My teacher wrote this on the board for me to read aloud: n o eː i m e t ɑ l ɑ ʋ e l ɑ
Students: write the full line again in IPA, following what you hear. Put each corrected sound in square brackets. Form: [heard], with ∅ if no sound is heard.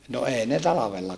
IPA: n o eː i [n] e t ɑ l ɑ ʋ e [lː] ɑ